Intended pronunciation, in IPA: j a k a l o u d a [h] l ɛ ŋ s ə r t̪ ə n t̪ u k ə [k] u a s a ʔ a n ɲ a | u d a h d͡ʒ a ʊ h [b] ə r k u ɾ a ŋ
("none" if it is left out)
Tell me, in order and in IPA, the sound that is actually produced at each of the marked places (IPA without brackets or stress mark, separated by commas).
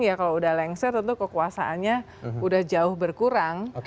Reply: h, k, b